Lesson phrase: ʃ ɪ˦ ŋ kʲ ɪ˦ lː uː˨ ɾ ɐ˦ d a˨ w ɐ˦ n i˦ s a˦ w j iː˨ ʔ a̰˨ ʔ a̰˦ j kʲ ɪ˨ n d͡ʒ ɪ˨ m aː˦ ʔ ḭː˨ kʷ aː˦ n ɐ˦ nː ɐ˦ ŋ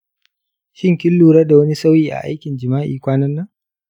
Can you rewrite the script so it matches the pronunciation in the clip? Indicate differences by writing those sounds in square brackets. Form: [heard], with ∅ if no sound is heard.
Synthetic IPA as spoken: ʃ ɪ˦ ŋ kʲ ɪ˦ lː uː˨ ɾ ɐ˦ d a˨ w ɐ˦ n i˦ s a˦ w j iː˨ ʔ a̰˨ ʔ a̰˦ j kʲ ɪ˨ n d͡ʒ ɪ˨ m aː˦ ʔ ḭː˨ kʷ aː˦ n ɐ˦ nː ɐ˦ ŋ